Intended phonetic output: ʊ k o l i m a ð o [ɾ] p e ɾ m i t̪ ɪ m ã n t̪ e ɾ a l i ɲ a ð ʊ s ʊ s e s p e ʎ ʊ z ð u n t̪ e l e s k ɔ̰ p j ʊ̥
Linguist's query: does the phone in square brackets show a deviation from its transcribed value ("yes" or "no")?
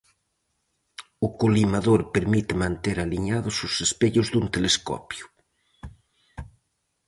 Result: no